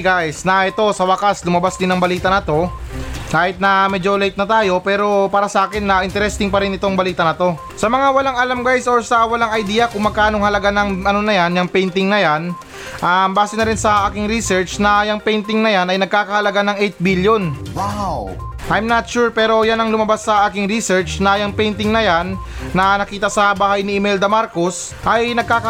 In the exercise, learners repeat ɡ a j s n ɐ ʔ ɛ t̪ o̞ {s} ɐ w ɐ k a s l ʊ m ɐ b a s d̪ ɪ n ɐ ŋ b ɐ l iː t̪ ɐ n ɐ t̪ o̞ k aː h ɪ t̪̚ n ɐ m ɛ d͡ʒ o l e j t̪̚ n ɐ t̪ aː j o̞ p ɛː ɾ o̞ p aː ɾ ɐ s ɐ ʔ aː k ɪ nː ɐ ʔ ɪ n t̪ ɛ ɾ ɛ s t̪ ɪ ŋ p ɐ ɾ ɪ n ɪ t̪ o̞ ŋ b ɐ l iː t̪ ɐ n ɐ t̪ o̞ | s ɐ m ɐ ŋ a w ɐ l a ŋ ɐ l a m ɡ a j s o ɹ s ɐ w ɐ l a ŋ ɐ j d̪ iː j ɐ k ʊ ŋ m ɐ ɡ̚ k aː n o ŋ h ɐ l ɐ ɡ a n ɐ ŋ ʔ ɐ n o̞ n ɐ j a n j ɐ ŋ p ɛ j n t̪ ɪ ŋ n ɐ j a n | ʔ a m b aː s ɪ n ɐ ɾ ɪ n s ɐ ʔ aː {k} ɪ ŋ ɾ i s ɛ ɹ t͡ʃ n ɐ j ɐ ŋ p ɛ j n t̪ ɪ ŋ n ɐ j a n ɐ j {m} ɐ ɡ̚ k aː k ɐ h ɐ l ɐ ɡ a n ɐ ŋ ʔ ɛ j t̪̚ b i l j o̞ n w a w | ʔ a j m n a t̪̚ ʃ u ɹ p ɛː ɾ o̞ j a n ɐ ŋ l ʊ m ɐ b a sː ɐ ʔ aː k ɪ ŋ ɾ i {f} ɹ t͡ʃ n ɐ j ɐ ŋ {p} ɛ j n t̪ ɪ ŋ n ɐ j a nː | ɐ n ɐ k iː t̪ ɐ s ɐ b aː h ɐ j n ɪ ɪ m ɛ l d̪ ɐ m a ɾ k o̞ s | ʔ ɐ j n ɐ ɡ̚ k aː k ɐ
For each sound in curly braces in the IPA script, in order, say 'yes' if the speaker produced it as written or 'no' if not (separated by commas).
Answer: yes, yes, no, no, yes